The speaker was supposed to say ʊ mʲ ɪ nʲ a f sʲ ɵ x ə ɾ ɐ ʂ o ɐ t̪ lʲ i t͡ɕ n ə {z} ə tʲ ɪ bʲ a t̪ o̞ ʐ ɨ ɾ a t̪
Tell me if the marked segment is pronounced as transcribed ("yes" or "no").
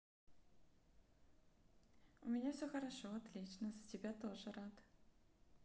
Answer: yes